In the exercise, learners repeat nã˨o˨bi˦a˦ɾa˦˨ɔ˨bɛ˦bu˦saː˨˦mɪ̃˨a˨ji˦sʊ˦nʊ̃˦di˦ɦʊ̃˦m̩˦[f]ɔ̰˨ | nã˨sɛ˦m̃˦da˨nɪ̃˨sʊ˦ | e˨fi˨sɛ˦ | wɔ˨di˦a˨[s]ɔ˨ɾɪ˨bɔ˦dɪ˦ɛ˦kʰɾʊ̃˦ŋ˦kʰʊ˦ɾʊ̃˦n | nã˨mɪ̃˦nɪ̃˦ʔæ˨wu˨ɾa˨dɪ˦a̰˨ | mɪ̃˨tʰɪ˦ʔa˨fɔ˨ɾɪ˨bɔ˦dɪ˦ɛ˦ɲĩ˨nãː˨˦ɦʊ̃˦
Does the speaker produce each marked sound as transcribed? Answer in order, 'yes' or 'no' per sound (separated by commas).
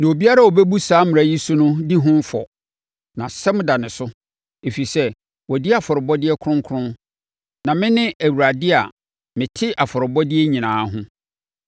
yes, no